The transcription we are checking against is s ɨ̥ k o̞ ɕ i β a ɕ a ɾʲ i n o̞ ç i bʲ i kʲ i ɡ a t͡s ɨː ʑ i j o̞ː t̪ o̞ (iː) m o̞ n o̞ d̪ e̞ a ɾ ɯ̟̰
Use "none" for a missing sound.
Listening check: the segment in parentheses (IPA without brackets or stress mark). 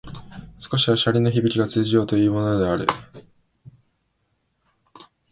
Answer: iː